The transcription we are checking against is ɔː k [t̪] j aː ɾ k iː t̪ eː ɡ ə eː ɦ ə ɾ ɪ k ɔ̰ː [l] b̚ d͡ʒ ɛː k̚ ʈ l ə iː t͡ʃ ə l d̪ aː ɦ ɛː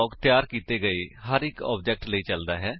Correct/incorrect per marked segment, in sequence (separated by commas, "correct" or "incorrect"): correct, incorrect